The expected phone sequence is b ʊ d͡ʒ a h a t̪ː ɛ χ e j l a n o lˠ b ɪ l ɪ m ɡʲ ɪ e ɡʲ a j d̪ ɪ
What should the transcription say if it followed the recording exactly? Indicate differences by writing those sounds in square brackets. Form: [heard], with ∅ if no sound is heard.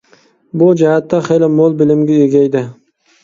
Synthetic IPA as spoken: b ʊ d͡ʒ a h a t̪ː [a] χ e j l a [m] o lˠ b ɪ l ɪ m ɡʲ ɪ e ɡʲ a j d̪ ɪ